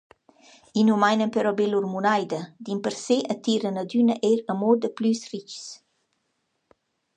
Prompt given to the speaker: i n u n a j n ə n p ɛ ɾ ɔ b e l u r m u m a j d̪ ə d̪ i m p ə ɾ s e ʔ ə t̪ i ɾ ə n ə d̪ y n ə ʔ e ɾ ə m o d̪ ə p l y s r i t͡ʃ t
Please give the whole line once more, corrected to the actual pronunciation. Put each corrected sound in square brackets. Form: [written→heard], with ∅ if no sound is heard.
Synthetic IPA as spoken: i n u [n→m] a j n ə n p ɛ ɾ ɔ b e l u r m u [m→n] a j d̪ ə d̪ i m p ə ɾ s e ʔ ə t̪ i ɾ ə n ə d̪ y n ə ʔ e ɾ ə m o d̪ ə p l y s r i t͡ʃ [t→s]